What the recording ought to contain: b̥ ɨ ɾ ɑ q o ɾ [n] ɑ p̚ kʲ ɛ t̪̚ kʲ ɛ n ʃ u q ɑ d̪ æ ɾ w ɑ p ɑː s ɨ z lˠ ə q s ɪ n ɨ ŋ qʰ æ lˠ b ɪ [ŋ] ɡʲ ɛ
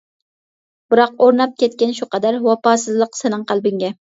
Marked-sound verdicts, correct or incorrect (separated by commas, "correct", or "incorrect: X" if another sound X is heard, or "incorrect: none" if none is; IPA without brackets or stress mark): correct, correct